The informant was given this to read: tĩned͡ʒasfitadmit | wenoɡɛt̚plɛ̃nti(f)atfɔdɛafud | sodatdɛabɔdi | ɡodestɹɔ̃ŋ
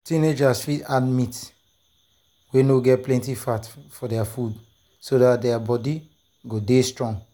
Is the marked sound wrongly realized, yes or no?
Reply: no